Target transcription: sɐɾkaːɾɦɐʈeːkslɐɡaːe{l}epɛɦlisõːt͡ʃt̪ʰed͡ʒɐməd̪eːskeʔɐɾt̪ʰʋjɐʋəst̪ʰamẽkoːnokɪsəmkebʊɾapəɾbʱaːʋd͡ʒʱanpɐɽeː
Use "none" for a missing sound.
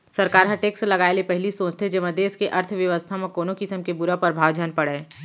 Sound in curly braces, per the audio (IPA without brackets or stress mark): l